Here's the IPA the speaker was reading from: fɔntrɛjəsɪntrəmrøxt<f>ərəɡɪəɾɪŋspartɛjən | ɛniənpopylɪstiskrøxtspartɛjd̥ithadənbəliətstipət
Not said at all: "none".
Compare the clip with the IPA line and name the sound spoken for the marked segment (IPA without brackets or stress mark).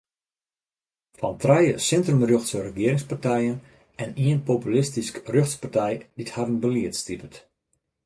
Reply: s